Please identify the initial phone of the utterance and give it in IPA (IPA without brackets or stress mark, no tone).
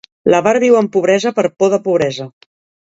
l